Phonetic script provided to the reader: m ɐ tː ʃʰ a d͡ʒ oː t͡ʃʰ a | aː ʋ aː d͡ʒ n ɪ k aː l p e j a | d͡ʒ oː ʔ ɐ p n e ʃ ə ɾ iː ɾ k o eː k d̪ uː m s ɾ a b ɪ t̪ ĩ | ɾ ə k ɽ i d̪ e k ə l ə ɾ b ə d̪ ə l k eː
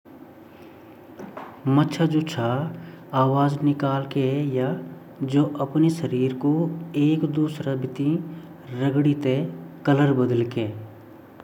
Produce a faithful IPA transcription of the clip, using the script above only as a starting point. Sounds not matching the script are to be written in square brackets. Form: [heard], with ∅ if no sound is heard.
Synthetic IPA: m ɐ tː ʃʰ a d͡ʒ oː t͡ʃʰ a | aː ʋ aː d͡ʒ n ɪ k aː l [k] e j a | d͡ʒ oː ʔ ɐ p n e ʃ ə ɾ iː ɾ k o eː k d̪ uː [∅] s ɾ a b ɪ t̪ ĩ | ɾ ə [ɡ] ɽ i [t̪] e k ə l ə ɾ b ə d̪ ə l k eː